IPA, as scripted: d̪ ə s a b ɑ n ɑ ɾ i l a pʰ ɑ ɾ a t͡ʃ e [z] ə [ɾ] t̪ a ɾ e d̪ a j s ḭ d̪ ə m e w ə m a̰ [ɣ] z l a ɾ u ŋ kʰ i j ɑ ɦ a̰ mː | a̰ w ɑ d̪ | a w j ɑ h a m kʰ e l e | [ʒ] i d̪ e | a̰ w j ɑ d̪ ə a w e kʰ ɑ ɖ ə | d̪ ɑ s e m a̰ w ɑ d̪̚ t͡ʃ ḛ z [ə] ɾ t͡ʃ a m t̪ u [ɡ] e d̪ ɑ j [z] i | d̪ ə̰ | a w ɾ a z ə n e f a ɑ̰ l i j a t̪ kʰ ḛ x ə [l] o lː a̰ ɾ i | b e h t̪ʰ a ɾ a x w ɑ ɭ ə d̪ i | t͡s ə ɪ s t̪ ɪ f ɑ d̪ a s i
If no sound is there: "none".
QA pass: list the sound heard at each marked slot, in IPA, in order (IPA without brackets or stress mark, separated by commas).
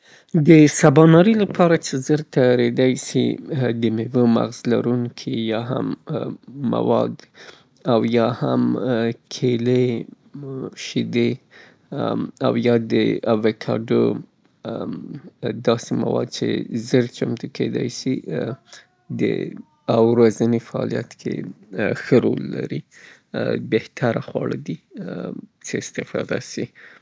z, ɾ, ɣ, ʃ, ə, k, s, ɾ